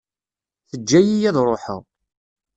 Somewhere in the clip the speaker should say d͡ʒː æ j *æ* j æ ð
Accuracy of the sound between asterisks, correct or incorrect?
incorrect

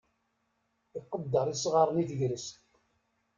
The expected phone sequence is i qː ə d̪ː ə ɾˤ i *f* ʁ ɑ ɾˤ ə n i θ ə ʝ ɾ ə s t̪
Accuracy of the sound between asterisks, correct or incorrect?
incorrect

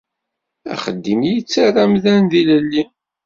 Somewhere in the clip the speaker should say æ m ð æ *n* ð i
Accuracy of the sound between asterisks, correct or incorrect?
correct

